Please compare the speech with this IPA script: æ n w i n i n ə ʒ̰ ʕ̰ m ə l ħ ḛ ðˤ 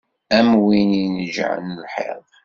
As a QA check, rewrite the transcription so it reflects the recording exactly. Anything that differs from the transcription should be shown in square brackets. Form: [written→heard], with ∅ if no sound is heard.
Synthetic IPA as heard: æ [n→m] w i n i n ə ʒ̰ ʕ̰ [m→n] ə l ħ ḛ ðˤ